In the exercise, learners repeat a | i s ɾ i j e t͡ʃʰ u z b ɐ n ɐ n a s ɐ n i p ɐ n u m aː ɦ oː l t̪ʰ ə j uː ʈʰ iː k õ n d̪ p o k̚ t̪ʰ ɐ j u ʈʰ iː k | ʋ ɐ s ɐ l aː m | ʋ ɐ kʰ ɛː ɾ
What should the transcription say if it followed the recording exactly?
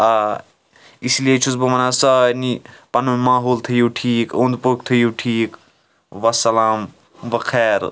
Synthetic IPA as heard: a | i s l i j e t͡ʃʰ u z b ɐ m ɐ n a s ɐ n i p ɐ n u m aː ɦ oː l t̪ʰ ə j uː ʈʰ iː k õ n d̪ p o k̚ t̪ʰ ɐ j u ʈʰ iː k | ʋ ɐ s ɐ l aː m | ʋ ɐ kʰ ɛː ɾ